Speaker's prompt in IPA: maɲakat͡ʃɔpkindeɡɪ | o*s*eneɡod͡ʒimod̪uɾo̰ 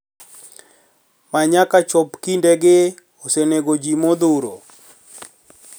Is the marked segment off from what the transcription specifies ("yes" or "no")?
no